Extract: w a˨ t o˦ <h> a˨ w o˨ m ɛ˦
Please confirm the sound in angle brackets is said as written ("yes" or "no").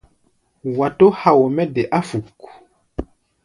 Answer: yes